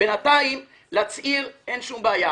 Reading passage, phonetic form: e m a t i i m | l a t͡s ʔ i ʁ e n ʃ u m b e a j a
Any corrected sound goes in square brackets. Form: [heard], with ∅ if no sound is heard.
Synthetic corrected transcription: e [n] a t [a] i m | l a t͡s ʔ i ʁ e n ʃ u m b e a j a